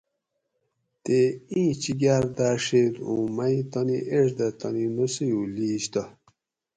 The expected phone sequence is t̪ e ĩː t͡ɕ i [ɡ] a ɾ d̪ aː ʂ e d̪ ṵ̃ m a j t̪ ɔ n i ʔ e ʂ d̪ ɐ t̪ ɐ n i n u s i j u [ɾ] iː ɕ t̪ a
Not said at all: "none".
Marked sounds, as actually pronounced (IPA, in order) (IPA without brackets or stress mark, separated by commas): ɡ, l